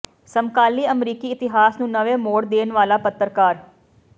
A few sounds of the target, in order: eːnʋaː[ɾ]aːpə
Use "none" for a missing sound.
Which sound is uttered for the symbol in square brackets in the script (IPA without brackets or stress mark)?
l